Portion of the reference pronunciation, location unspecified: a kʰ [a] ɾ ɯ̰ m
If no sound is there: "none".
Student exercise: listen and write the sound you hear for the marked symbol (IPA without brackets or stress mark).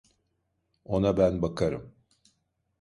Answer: a